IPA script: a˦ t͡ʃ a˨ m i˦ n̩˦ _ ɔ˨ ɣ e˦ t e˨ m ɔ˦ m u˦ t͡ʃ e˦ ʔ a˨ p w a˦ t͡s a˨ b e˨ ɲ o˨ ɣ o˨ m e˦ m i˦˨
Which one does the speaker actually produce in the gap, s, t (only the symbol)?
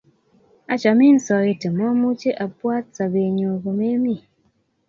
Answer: s